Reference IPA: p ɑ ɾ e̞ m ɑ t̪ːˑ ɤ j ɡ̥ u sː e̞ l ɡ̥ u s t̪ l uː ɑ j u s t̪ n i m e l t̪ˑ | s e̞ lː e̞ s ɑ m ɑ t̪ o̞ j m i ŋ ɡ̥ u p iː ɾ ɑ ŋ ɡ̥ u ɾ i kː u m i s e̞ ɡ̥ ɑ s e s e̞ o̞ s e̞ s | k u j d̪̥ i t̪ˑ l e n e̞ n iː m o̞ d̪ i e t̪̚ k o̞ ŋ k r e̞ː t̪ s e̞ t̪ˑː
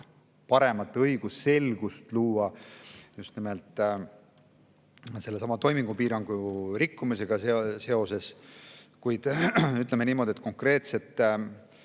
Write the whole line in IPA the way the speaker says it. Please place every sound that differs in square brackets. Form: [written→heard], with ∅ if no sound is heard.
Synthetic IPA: p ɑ ɾ e̞ m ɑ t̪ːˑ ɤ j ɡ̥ u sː e̞ l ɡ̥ u s t̪ l uː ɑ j u s t̪ n i m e l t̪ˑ | s e̞ lː e̞ s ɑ m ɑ t̪ o̞ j m i ŋ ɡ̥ u p iː ɾ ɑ ŋ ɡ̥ u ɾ i kː u m i s e̞ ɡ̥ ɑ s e s e̞ o̞ s e̞ s | k u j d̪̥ [i→y] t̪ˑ l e [n→m] e̞ n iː m o̞ d̪ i e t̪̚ k o̞ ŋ k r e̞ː t̪ s e̞ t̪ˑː

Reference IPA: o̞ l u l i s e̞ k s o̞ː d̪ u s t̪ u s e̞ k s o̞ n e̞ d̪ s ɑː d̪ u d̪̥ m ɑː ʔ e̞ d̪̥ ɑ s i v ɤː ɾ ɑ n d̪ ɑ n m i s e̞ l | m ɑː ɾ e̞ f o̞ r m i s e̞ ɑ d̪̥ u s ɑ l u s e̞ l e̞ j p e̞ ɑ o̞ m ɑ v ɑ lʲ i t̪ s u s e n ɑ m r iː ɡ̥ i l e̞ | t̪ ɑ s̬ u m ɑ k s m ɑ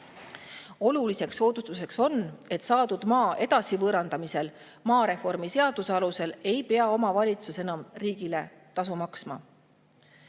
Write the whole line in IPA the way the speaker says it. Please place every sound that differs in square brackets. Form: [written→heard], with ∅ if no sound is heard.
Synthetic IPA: o̞ l u l i s e̞ k s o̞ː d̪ u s t̪ u s e̞ k s o̞ n e̞ [d̪→t̪] s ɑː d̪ u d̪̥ m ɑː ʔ e̞ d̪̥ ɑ s i v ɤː ɾ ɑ n d̪ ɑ [n→∅] m i s e̞ l | m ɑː ɾ e̞ f o̞ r m i s e̞ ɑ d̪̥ u s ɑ l u s e̞ l e̞ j p e̞ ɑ o̞ m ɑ v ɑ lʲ i t̪ s u s e n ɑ m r iː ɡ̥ i l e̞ | t̪ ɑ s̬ u m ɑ k s m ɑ

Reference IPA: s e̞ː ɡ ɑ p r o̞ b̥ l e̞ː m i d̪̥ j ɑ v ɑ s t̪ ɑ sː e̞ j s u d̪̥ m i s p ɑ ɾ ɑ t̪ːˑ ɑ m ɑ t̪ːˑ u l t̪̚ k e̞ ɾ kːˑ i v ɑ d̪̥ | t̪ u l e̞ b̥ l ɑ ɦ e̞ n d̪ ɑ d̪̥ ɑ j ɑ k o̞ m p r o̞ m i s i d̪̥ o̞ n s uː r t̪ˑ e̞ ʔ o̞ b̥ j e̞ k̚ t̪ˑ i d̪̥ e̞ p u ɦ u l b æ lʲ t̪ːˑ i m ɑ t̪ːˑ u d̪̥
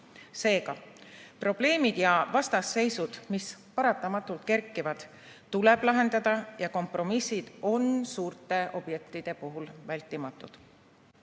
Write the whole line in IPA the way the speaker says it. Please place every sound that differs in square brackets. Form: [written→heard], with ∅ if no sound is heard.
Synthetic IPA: s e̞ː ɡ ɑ p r o̞ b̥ l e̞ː m i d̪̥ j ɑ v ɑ s t̪ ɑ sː e̞ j s u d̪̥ m i s p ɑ ɾ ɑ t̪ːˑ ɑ m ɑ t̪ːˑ u l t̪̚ k e̞ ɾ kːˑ i v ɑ d̪̥ | t̪ u l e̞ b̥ l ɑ ɦ e̞ n d̪ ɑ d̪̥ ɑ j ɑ k o̞ m p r o̞ m i s i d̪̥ o̞ n s uː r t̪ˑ e̞ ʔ o̞ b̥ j e̞ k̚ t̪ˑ i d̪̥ e̞ p u ɦ u l [b→v] æ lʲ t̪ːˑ i m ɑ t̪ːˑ u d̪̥

